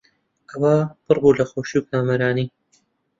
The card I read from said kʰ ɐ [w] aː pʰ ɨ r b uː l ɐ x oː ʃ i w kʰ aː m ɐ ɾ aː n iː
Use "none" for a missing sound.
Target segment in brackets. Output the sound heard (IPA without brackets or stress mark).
w